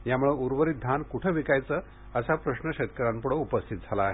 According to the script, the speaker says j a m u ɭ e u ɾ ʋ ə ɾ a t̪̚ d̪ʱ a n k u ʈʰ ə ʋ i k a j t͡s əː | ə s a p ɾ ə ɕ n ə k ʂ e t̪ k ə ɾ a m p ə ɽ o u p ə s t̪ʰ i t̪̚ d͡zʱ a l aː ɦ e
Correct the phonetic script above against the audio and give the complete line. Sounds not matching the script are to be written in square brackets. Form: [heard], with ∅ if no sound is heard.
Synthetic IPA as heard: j a m u ɭ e u ɾ ʋ ə ɾ [i] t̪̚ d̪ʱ a n k u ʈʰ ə ʋ i k a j t͡s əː | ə s a p ɾ ə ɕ n ə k [ɕ] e t̪ k ə ɾ a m p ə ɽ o u p ə s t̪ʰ i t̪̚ d͡zʱ a l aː ɦ e